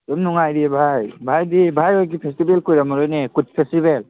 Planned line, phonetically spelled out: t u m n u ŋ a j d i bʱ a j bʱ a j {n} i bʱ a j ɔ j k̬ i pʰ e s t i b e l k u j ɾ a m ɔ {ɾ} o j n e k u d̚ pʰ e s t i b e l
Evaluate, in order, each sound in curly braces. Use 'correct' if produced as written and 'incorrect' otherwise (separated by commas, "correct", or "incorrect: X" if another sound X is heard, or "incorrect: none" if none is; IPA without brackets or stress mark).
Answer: incorrect: d, correct